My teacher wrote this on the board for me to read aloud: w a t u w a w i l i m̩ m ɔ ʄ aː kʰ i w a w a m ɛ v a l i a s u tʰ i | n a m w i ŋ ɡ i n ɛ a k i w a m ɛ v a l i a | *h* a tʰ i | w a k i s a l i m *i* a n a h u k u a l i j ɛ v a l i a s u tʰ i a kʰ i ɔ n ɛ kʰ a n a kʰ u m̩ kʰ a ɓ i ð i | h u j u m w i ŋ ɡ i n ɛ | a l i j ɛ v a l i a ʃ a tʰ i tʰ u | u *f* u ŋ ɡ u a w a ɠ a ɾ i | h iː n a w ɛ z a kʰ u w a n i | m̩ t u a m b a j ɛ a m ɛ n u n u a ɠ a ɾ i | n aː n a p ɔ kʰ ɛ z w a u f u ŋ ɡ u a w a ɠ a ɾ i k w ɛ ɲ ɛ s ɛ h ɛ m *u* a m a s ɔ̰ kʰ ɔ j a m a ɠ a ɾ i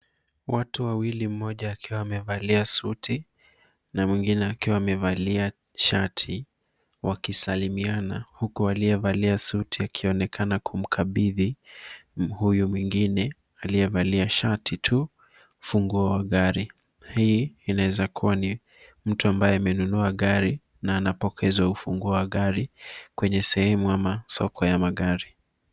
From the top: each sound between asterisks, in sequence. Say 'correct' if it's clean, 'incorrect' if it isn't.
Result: incorrect, correct, correct, correct

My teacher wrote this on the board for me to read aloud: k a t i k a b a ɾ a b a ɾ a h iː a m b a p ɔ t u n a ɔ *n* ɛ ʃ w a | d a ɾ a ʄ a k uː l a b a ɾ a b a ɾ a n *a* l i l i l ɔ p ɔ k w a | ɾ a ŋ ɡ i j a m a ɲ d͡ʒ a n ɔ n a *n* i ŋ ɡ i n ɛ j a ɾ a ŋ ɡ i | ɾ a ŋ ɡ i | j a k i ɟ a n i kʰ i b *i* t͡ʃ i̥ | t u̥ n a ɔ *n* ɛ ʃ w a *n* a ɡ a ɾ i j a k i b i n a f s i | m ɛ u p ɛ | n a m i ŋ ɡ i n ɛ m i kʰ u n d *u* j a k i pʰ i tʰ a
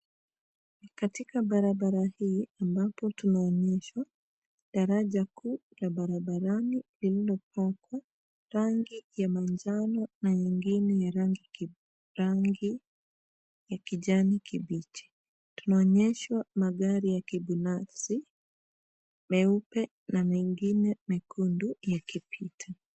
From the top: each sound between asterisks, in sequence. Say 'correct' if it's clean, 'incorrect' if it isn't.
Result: incorrect, incorrect, incorrect, correct, incorrect, incorrect, correct

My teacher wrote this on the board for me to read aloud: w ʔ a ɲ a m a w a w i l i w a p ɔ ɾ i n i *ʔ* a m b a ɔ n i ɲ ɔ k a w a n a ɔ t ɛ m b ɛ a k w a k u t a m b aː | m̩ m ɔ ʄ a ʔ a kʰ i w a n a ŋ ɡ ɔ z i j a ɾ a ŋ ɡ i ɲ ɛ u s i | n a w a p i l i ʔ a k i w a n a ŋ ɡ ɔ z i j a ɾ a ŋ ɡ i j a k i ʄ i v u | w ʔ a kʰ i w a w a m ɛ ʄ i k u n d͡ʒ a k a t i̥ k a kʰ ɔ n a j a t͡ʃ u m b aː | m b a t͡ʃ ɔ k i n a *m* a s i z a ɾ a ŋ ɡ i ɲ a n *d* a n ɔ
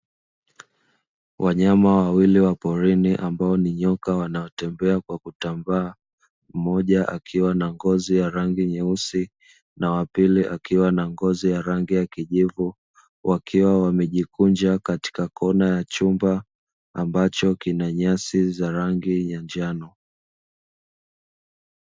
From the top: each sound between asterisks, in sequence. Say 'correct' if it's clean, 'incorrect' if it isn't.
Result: correct, incorrect, incorrect

